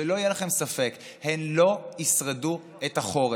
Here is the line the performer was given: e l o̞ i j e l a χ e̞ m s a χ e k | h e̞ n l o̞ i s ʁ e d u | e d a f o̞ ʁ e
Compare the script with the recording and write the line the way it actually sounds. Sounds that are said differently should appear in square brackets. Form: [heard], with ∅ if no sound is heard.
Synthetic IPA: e l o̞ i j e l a χ e̞ m s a [f] e k | h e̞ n l o̞ i s ʁ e d u | e [t] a [χ] o̞ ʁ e